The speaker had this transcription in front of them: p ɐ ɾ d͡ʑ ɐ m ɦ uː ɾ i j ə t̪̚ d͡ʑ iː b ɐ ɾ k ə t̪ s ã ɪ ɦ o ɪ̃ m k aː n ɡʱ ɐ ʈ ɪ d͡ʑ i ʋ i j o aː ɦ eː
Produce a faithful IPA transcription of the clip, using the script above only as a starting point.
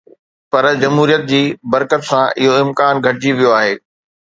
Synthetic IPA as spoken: p ɐ ɾ d͡ʑ ɐ m ɦ uː ɾ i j ə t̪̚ d͡ʑ iː b ɐ ɾ k ə t̪ s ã ɪ ɦ o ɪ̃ m k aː n ɡʱ ɐ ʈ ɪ d͡ʑ i ʋ i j o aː ɦ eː